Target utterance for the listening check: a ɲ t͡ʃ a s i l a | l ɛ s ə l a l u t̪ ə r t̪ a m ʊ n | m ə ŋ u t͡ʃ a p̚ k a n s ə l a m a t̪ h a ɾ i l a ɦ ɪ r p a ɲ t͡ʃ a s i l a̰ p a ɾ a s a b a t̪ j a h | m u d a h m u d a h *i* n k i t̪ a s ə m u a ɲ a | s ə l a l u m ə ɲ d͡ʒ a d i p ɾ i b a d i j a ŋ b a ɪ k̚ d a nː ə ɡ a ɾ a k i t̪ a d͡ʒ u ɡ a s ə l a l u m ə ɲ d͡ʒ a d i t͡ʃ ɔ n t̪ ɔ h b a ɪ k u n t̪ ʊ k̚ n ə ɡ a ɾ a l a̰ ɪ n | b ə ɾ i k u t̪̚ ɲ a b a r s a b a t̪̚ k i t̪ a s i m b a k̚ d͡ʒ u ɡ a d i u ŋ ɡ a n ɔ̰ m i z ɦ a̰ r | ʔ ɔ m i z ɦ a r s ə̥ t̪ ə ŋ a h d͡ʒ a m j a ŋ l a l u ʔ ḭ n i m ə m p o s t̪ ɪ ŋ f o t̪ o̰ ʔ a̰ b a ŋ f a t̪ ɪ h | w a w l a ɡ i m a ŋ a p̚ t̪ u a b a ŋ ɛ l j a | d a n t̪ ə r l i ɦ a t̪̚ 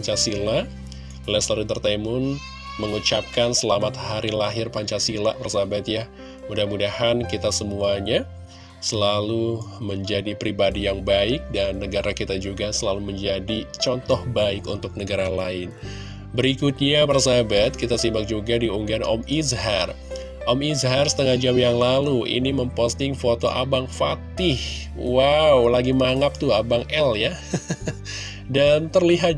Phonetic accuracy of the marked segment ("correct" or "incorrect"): incorrect